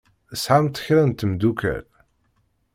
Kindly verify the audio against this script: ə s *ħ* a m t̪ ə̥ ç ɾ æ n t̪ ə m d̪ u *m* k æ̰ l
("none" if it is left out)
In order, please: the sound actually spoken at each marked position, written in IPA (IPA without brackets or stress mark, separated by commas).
ħ, none